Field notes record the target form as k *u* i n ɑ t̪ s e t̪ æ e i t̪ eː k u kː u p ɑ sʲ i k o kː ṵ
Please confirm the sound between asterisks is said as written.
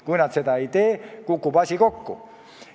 yes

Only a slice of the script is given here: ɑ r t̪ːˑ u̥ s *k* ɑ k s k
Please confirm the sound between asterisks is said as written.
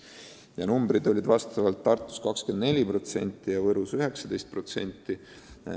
yes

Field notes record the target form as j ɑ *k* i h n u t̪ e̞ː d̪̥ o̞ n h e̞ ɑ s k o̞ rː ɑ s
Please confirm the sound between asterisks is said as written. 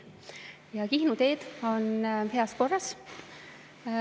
yes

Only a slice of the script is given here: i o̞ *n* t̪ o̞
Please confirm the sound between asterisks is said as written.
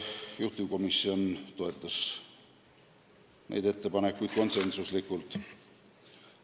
yes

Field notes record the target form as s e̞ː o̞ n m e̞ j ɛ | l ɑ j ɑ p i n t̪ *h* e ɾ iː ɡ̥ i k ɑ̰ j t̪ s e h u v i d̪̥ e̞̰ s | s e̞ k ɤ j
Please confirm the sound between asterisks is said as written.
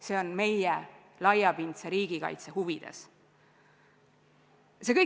no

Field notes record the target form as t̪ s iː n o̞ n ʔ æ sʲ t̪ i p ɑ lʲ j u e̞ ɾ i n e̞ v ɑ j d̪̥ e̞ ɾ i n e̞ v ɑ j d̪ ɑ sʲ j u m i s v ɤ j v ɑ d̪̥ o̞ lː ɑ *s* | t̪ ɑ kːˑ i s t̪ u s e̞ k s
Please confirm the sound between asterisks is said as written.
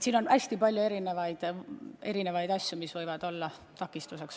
no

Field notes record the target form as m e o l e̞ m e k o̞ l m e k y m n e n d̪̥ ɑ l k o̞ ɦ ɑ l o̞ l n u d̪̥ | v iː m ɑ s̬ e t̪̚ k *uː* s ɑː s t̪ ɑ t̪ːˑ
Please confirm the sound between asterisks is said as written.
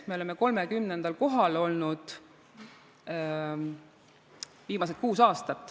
yes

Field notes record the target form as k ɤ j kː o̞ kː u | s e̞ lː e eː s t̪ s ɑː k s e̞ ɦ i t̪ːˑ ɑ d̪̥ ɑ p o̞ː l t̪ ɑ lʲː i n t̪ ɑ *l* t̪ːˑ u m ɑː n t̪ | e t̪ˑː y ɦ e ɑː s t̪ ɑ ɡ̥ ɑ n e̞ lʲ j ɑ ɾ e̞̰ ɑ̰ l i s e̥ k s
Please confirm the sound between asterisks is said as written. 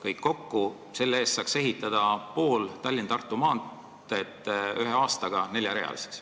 no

